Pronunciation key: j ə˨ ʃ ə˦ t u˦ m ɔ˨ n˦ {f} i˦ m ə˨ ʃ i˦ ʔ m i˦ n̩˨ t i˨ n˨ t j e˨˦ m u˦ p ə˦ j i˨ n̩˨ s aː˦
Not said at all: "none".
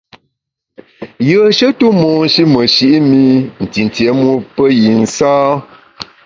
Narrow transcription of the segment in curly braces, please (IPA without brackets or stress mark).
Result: ʃ